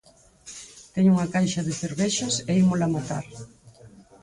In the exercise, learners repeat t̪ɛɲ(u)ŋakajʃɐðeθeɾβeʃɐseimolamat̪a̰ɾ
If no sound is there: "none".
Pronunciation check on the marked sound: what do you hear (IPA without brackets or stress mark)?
u